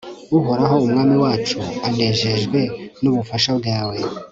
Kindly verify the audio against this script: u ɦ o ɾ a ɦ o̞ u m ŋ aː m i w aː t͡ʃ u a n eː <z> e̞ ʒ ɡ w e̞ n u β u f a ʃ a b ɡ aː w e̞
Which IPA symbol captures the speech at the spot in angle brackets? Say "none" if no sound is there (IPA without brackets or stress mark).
ʒ